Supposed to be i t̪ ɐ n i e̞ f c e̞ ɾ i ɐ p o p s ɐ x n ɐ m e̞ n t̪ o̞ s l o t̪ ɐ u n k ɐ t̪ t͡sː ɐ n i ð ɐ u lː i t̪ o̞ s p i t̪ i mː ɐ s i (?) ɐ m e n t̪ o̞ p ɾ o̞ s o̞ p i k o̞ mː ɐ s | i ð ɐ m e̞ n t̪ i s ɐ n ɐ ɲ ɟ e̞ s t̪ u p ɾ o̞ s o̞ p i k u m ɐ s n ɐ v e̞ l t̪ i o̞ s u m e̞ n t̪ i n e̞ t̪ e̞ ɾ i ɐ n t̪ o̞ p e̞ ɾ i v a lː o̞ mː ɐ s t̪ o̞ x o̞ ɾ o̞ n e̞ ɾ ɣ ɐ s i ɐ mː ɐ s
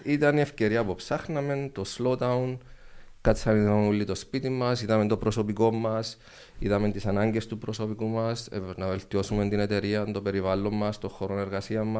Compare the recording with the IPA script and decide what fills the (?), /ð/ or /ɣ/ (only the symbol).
ð